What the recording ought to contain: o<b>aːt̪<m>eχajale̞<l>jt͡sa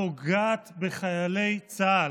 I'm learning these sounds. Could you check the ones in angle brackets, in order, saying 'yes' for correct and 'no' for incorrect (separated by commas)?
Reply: no, no, no